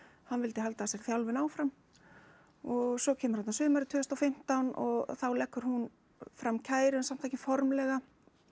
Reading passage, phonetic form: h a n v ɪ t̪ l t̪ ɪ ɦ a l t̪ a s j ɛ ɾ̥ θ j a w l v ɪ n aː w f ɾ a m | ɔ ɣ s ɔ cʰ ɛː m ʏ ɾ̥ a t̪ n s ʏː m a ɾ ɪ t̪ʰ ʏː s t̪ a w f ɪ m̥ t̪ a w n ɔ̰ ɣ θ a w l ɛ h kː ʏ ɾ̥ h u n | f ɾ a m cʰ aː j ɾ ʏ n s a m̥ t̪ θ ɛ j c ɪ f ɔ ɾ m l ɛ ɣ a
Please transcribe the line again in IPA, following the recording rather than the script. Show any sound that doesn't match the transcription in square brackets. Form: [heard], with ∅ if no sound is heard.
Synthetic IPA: h a n v ɪ [∅] l t̪ ɪ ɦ a l t̪ a s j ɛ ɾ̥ θ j a w l v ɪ n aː w f ɾ a m | ɔ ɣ s ɔ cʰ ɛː m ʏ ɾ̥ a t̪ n s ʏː m a ɾ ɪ t̪ʰ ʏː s t̪ a w f ɪ m̥ t̪ a w n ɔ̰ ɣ θ a w l ɛ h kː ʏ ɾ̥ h u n | f ɾ a m cʰ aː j ɾ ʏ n s a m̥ t̪ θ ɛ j c ɪ f ɔ ɾ m l ɛ ɣ a